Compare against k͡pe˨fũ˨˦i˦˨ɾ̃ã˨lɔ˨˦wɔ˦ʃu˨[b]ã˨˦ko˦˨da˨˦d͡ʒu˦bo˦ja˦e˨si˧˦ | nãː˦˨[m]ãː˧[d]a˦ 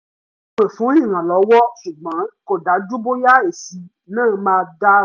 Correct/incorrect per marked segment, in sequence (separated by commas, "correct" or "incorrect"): incorrect, correct, correct